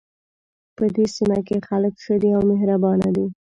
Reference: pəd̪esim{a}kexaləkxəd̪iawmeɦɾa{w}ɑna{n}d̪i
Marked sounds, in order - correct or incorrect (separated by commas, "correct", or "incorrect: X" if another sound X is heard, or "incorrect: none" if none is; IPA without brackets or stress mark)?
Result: correct, incorrect: b, incorrect: none